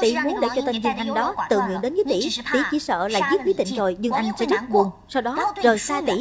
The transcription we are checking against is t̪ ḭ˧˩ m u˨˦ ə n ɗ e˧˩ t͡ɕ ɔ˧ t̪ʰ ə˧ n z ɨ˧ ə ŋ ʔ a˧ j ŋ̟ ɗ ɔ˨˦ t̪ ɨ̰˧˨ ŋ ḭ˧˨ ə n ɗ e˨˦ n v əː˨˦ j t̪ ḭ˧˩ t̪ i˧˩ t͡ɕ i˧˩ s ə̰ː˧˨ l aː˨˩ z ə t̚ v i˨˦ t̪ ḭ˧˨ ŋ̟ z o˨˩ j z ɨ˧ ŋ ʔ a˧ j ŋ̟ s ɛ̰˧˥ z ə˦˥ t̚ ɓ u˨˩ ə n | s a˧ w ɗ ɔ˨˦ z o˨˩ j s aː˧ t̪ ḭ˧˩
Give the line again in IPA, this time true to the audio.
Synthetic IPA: t̪ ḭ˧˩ m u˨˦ ə n ɗ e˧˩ t͡ɕ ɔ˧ t̪ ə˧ n z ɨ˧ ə ŋ ʔ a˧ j ŋ̟ ɗ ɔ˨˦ t̪ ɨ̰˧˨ ŋ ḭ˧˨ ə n ɗ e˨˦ n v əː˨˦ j t̪ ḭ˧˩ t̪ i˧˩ t͡ɕ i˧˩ s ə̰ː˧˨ l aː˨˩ z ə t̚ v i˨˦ t̪ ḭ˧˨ ŋ̟ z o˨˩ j z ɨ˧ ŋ ʔ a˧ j ŋ̟ s ɛ̰˧˥ z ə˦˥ t̚ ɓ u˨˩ ə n | s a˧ w ɗ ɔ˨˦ z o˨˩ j s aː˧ t̪ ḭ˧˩